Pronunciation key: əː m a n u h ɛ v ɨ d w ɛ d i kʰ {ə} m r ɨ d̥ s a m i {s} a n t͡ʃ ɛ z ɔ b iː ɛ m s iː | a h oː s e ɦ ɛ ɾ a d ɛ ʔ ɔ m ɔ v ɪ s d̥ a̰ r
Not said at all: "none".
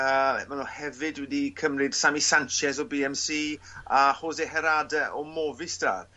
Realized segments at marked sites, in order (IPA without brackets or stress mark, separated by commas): ə, s